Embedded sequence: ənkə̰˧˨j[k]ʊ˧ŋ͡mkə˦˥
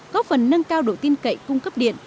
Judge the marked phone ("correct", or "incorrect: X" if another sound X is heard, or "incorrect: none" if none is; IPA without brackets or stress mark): correct